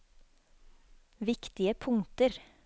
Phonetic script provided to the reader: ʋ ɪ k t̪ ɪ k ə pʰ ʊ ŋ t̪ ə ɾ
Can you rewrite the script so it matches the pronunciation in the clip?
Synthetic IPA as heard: ʋ ɪ k t̪ ɪ ə pʰ ʊ ŋ t̪ ə ɾ